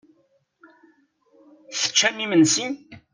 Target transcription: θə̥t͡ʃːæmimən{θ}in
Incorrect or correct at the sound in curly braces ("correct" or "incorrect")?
incorrect